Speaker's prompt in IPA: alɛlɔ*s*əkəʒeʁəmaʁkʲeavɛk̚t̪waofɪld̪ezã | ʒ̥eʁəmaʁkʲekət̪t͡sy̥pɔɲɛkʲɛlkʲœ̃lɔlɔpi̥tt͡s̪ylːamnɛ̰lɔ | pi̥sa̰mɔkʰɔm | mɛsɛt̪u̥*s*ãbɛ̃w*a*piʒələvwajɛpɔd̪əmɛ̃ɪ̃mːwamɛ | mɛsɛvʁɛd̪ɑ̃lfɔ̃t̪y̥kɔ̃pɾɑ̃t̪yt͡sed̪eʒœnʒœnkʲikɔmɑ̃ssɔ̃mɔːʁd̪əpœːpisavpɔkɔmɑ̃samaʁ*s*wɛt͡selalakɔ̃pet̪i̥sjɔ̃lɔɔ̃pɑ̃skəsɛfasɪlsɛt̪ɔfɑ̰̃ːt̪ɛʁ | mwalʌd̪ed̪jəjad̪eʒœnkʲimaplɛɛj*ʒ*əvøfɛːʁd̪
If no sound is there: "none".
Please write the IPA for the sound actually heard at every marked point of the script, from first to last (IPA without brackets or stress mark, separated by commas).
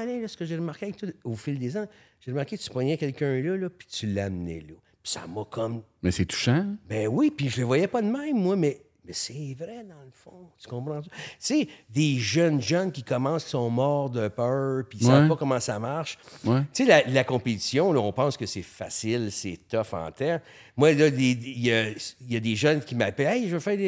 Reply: s, ʃ, i, ʃ, ʒ